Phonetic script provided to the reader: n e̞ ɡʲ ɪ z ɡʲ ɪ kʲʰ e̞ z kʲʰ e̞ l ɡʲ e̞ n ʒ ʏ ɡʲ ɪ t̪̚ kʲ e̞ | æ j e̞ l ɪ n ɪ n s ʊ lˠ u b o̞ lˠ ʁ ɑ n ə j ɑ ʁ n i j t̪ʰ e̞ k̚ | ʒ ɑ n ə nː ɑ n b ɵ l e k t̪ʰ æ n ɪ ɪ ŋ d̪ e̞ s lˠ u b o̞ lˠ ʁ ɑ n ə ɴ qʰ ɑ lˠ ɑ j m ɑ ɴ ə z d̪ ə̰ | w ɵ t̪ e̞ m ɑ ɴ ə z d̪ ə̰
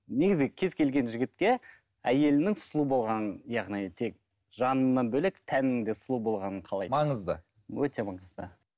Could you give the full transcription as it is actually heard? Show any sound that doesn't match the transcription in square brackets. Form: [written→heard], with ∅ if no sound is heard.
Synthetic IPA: n e̞ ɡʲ ɪ z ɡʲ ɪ kʲʰ e̞ z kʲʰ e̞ l ɡʲ e̞ n ʒ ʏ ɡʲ ɪ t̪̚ kʲ e̞ | æ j e̞ l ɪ n ɪ [n→ŋ] s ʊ lˠ u b o̞ lˠ ʁ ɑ n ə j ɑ ʁ n i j t̪ʰ e̞ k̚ | ʒ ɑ n ə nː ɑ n b ɵ l e k t̪ʰ æ n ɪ ɪ ŋ d̪ e̞ s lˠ u b o̞ lˠ ʁ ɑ n ə ɴ qʰ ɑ lˠ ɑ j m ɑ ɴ ə z d̪ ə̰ | w ɵ t̪ e̞ m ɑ ɴ ə z d̪ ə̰